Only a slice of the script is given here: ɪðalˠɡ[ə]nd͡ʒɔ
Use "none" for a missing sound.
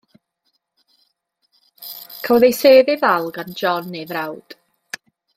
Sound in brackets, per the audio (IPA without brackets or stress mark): a